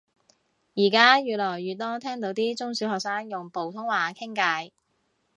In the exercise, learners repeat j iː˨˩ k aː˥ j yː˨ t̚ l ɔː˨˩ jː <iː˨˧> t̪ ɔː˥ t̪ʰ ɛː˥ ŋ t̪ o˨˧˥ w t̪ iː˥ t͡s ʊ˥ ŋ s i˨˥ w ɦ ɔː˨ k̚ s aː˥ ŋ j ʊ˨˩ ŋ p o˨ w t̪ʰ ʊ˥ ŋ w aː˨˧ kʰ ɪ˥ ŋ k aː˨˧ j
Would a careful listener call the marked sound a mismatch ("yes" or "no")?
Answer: yes